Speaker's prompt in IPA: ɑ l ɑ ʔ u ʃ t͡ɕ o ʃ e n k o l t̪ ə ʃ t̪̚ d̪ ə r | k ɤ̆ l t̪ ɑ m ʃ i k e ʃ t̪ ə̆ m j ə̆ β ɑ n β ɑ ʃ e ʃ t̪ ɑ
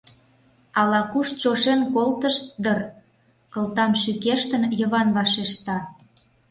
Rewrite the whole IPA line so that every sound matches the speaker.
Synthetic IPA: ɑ l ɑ k u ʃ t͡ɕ o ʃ e n k o l t̪ ə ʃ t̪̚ d̪ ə r | k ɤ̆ l t̪ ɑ m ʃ y k e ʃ t̪ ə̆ n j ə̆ β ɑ n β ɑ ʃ e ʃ t̪ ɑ